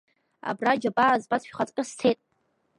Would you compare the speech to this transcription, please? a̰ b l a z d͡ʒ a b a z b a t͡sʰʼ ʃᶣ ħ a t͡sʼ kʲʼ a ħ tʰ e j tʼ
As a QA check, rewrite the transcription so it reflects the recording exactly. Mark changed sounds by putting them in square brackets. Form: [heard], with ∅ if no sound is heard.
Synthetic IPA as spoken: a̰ b [r] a [∅] d͡ʒ a b a z b a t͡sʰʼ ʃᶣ [χ] a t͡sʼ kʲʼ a [s] tʰ e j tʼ